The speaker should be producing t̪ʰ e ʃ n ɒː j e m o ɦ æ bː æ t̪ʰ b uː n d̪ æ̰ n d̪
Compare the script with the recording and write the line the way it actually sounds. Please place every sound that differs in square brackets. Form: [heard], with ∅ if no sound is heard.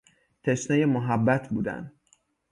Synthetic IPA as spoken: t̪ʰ e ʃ n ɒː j e m o ɦ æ bː æ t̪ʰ b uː [∅] d̪ æ̰ n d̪